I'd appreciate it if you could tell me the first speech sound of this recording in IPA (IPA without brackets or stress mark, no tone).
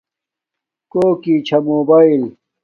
k